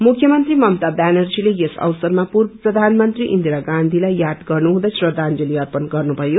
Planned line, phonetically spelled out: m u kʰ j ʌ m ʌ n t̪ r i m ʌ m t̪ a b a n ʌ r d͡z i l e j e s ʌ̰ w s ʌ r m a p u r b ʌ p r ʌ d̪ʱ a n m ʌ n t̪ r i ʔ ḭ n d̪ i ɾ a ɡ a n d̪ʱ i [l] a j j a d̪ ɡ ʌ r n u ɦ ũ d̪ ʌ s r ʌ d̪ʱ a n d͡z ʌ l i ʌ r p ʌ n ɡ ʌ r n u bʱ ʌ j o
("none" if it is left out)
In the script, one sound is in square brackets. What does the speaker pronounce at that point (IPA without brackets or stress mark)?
l